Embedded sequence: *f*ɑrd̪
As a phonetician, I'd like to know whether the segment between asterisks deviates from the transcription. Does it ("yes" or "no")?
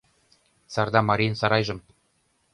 yes